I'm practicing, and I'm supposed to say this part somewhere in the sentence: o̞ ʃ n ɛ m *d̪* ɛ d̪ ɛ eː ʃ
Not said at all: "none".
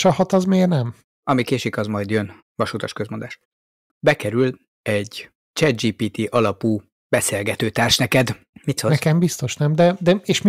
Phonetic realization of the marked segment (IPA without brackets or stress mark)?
d̪